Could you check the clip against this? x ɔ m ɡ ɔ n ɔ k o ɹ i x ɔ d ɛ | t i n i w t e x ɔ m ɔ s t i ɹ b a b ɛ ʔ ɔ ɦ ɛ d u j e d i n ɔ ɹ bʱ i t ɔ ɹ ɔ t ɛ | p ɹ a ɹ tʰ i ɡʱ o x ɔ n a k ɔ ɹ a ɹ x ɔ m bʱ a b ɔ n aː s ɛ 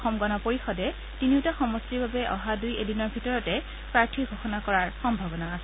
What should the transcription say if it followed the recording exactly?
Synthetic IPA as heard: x ɔ m ɡ ɔ n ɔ p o ɹ i x ɔ d ɛ | t i n i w t a x ɔ m ɔ s t i ɹ b a b ɛ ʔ ɔ ɦ a d u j e d i n ɔ ɹ bʱ i t ɔ ɹ ɔ t ɛ | p ɹ a ɹ tʰ i ɡʱ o x ɔ n a k ɔ ɹ a ɹ x ɔ m bʱ a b ɔ n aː s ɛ